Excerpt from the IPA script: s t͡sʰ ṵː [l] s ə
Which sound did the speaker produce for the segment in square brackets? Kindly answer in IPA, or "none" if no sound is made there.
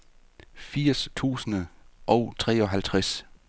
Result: none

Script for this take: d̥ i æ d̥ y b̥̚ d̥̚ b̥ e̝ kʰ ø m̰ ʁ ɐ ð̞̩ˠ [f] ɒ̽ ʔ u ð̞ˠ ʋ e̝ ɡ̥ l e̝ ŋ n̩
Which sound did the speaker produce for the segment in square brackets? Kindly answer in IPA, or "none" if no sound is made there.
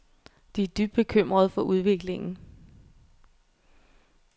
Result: f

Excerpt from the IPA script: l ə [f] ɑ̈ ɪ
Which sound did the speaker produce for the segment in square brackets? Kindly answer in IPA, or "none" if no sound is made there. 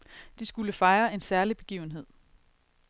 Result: f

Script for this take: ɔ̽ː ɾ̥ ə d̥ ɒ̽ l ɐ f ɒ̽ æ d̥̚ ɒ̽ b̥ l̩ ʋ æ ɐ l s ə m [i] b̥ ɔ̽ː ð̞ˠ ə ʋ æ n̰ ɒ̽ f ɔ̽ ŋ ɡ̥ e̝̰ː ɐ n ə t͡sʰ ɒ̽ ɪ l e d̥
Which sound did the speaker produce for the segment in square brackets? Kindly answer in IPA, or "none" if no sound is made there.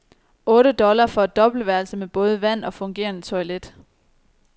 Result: e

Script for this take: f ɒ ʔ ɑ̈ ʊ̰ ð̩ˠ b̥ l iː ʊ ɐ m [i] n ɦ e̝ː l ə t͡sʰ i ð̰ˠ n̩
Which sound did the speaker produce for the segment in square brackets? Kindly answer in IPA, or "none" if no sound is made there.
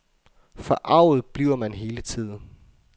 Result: æ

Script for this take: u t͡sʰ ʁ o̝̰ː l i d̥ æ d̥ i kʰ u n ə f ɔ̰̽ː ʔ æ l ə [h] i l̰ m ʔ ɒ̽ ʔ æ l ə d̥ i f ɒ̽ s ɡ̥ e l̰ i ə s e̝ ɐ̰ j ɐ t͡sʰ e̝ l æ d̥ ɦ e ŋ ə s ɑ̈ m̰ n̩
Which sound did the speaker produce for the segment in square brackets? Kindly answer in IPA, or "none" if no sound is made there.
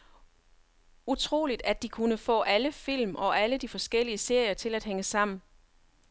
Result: f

